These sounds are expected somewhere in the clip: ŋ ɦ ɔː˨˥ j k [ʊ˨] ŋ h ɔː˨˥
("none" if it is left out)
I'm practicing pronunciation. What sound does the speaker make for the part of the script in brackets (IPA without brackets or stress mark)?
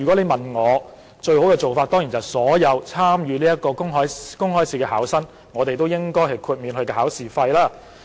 ʊ˥